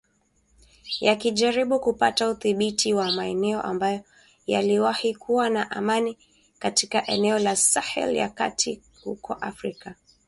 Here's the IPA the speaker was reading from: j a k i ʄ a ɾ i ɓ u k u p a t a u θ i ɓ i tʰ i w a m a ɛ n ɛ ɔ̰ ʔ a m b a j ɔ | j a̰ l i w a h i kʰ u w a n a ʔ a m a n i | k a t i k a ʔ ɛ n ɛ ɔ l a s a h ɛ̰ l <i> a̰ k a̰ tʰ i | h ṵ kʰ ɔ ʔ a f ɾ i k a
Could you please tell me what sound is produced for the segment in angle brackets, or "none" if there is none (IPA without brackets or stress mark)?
j